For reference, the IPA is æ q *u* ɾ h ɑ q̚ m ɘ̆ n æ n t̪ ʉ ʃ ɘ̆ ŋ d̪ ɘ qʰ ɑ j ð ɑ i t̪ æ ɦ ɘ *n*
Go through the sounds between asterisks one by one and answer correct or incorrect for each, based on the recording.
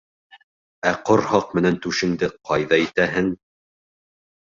incorrect, incorrect

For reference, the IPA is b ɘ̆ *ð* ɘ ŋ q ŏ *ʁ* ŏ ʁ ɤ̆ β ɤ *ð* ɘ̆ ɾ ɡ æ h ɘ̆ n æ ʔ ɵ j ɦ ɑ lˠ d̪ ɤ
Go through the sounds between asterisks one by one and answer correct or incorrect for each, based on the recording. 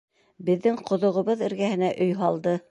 incorrect, incorrect, correct

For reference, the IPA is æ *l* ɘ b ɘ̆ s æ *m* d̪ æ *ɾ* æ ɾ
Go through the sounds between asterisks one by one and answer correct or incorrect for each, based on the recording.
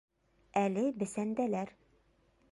correct, incorrect, incorrect

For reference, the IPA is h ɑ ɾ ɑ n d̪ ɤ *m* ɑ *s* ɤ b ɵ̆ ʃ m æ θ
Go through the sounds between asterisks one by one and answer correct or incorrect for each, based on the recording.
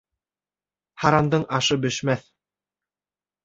incorrect, incorrect

